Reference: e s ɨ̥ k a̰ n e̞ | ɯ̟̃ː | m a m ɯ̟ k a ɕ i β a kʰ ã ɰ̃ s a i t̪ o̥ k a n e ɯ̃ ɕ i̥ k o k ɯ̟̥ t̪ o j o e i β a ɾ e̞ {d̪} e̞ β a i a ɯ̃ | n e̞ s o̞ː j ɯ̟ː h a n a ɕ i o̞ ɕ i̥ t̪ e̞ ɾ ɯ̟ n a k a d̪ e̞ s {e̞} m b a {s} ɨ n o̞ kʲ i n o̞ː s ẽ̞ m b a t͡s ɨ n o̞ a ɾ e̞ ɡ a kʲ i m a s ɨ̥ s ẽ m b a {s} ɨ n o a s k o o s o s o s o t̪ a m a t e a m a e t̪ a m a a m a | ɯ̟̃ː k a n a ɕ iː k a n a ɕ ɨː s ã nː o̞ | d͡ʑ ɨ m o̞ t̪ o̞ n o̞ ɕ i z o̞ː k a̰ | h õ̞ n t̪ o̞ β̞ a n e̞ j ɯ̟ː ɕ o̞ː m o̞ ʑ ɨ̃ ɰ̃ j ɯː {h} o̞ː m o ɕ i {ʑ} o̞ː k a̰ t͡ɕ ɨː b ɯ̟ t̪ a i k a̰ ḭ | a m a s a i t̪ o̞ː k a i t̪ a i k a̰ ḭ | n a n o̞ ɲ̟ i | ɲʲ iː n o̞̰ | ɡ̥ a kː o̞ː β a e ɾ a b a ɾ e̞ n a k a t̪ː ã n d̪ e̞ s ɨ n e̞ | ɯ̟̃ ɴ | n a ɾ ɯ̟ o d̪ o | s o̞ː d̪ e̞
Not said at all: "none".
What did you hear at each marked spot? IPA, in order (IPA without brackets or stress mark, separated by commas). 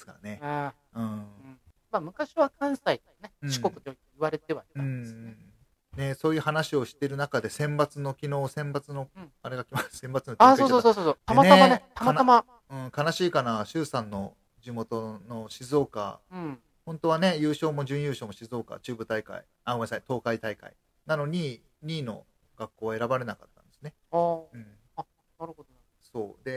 t̪, ẽ̞, t͡s, t͡s, ɕ, z